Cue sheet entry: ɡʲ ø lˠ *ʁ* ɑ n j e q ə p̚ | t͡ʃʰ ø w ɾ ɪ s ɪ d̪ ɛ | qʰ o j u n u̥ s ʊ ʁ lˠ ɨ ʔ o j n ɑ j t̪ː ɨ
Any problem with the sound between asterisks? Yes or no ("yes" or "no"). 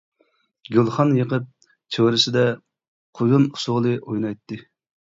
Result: yes